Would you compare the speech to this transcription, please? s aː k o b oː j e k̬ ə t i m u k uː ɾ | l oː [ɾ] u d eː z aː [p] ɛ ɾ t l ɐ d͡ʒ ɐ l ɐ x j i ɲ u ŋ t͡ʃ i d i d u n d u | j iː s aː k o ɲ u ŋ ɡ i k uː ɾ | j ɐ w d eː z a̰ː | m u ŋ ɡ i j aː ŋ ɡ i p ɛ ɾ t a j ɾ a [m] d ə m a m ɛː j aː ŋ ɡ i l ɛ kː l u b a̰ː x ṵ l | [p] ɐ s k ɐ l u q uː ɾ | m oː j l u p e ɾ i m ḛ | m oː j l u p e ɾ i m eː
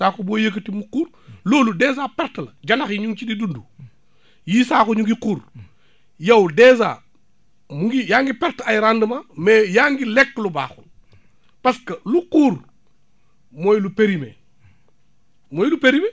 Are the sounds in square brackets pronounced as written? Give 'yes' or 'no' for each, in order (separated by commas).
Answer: no, yes, no, yes